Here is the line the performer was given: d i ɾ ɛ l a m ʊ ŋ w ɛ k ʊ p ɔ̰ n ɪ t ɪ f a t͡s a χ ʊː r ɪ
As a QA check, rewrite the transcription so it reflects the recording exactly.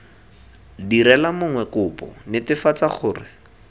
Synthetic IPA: d i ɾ ɛ l a m ʊ ŋ w ɛ k ʊ p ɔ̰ n ɪ t ɪ f a t͡s a χ ʊː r ɪ

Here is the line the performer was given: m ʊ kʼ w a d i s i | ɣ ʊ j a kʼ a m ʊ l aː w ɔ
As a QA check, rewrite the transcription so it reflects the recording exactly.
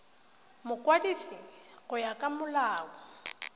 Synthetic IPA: m ʊ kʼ w a d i s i | ɣ ʊ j a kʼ a m ʊ l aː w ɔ

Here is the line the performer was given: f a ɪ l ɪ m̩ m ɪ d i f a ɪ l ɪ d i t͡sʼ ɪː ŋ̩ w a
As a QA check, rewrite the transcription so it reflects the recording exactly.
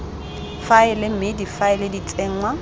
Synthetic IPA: f a ɪ l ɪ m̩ m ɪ d i f a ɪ l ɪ d i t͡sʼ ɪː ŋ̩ w a

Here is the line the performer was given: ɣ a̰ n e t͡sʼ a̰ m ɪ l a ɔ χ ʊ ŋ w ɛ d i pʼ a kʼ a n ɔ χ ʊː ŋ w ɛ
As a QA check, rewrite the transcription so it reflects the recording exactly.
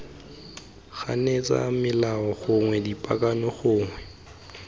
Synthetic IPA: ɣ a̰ n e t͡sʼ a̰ m ɪ l a ɔ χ ʊ ŋ w ɛ d i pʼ a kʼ a n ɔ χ ʊː ŋ w ɛ

